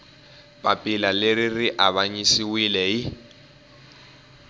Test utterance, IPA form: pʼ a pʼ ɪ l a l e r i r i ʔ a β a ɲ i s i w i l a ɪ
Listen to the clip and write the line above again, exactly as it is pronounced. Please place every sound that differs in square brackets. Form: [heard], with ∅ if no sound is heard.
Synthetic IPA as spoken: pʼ a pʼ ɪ l a l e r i r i ʔ a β a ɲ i s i w i l [ɛ] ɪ